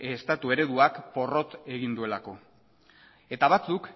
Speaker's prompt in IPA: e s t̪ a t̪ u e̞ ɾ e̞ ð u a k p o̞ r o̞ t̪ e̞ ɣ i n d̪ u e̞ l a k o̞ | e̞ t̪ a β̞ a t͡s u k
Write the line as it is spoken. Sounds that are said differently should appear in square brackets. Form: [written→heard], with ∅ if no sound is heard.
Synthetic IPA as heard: e s t̪ a t̪ u e̞ ɾ e̞ ð u a k p o̞ r o̞ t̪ e̞ ɣ i n d̪ u e̞ l a k o̞ | e̞ t̪ a β̞ a t͡s u k